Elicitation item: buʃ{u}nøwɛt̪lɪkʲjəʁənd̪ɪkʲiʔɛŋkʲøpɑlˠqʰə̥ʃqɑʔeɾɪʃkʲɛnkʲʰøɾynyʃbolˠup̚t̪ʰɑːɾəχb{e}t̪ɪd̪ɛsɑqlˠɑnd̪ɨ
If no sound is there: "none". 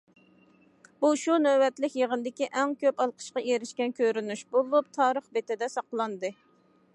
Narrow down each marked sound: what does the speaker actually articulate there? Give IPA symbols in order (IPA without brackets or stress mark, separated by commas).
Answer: u, e